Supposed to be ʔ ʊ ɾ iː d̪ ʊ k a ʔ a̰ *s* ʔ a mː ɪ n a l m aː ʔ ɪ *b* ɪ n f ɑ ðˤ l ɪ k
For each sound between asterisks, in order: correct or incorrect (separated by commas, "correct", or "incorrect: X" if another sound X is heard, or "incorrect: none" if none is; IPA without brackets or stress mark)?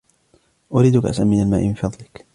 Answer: correct, incorrect: m